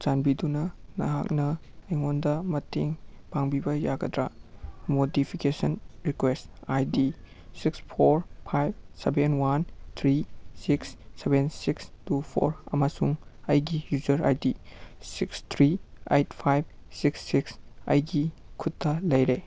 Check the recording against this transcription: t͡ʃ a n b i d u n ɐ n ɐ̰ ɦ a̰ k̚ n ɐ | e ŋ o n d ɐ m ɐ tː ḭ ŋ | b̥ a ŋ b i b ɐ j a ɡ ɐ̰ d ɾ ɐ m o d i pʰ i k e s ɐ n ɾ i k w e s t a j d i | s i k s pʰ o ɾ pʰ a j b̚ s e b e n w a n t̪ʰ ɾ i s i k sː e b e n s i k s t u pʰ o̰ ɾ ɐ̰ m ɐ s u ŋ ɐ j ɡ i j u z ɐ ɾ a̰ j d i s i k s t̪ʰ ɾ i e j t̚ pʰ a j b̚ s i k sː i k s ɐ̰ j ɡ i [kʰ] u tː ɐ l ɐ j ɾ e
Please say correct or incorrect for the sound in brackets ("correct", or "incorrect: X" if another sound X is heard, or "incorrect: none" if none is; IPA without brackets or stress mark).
correct